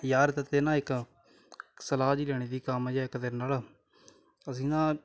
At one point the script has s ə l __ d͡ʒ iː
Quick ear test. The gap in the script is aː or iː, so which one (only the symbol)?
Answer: aː